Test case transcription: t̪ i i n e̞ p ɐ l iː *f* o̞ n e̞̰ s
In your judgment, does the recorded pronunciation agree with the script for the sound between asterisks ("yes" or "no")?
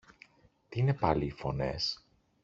yes